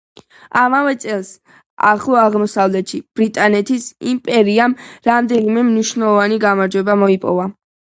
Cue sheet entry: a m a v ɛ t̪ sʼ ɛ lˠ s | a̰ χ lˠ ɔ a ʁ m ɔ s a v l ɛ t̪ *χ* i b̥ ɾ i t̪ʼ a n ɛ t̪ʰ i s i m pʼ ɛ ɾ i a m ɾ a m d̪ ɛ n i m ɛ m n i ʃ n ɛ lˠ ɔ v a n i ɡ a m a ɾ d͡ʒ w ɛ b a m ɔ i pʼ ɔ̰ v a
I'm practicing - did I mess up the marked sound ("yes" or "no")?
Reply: yes